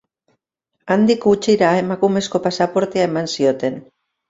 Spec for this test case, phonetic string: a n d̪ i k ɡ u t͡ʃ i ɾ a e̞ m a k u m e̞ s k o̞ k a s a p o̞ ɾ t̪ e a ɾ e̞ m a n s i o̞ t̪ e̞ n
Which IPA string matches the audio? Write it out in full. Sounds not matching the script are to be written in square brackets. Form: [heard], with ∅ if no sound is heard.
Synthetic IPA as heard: a n d̪ i k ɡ u t͡ʃ i ɾ a e̞ m a k u m e̞ s k o̞ [p] a s a p o̞ ɾ t̪ e a [∅] e̞ m a n s i o̞ t̪ e̞ n